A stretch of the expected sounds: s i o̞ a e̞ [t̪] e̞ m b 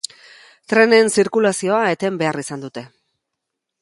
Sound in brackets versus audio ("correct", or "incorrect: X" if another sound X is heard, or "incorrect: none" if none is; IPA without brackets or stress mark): correct